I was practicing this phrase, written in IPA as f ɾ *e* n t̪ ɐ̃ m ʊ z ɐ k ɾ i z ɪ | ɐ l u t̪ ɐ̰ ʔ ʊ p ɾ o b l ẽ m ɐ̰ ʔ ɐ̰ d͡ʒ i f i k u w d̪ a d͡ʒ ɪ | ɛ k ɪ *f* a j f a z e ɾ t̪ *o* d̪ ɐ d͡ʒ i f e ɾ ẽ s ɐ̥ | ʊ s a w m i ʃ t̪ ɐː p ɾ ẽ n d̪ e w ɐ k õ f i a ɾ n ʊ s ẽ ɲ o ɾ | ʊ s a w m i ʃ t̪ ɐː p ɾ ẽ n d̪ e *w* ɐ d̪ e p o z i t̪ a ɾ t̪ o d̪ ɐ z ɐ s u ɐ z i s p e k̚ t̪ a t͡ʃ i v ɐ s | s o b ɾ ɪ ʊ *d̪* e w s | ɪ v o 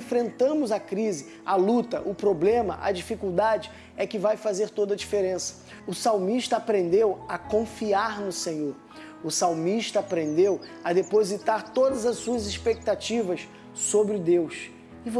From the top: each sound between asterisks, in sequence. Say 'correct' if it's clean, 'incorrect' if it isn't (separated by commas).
incorrect, incorrect, correct, correct, correct